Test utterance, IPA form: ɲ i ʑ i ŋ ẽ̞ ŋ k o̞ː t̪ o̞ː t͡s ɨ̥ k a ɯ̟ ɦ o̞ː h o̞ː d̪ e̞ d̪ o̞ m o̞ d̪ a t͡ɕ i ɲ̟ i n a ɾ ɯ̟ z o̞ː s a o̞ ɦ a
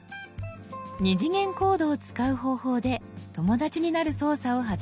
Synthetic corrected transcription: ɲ i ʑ i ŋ ẽ̞ ŋ k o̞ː d̪ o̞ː t͡s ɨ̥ k a ɯ̟ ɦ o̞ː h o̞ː d̪ e̞ t̪ o̞ m o̞ d̪ a t͡ɕ i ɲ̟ i n a ɾ ɯ̟ s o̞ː s a o̞ ɦ a